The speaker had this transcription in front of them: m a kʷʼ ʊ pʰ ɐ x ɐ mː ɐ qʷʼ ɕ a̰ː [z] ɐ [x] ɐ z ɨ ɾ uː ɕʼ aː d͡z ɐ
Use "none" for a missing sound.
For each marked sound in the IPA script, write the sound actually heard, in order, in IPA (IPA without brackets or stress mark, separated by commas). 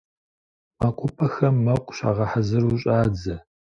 ʁ, ħ